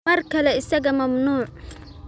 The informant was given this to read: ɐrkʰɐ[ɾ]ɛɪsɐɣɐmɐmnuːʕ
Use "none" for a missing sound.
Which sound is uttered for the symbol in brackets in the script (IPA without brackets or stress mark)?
l